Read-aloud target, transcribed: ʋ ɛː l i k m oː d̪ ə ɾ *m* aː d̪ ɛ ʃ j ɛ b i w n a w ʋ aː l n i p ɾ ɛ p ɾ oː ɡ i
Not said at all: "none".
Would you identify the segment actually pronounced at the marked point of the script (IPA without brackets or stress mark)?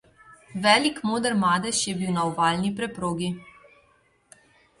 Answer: m